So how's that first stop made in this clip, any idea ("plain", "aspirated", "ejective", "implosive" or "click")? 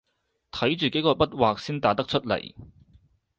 aspirated